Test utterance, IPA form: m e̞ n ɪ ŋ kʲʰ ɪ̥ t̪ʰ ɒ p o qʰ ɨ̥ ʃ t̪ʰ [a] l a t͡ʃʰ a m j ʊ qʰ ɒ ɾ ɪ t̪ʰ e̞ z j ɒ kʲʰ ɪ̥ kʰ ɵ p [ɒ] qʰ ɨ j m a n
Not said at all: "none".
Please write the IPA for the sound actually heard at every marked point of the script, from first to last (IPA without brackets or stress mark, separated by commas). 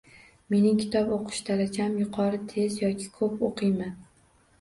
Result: a, o